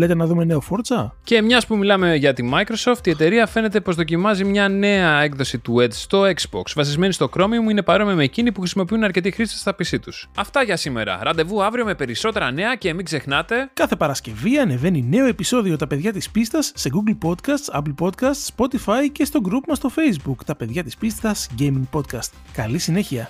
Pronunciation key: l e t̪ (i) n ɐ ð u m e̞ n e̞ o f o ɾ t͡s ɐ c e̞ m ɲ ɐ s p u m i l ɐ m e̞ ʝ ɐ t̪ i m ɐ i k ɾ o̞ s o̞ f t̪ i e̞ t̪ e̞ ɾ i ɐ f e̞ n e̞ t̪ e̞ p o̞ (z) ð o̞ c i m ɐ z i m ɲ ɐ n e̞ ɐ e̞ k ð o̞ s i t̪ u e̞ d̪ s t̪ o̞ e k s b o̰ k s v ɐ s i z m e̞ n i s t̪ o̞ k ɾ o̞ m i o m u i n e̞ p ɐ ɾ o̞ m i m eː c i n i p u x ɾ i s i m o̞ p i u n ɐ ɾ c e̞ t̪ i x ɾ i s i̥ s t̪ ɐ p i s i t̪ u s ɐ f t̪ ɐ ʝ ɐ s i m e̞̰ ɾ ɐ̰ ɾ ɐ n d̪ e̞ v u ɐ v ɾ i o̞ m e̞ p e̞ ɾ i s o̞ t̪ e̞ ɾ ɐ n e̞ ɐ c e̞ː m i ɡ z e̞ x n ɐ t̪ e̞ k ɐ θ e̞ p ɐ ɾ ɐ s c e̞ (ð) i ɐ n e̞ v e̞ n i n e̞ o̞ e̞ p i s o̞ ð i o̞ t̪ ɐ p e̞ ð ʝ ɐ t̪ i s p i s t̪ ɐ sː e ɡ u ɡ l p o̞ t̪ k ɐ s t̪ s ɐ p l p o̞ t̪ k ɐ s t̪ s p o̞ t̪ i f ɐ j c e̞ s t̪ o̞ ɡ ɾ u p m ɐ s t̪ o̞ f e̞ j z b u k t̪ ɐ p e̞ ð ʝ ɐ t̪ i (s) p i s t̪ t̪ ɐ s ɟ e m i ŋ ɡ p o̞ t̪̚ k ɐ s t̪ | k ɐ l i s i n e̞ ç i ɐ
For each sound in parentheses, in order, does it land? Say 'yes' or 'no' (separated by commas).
no, yes, no, yes